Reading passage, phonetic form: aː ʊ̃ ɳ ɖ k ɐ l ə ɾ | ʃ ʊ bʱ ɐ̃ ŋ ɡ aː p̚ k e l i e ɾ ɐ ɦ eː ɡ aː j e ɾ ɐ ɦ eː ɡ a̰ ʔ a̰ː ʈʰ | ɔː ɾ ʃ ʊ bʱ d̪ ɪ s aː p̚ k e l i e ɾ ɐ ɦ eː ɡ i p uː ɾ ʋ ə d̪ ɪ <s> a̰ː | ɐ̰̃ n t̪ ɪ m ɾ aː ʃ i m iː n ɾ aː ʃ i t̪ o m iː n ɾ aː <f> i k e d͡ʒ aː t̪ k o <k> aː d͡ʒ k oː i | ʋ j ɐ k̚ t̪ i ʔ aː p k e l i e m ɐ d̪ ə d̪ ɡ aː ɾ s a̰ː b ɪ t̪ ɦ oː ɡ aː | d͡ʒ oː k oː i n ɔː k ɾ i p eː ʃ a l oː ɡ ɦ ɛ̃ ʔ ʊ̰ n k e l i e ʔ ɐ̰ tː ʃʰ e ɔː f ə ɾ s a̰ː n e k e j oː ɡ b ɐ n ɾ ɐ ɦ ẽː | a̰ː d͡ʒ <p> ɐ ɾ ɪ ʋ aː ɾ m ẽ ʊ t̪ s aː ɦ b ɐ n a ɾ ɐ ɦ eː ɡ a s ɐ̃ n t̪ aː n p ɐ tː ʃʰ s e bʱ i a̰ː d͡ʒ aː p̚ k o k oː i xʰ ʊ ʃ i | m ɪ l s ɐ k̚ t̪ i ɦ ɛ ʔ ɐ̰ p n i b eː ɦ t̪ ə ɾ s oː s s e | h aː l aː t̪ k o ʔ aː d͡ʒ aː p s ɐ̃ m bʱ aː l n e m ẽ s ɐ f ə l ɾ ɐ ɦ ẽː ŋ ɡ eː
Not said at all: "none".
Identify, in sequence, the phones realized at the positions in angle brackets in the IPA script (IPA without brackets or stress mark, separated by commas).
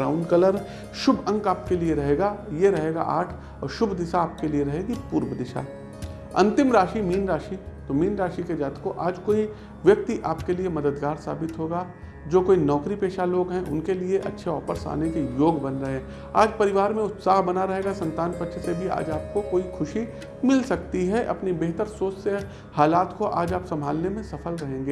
ʃ, ʃ, ʔ, p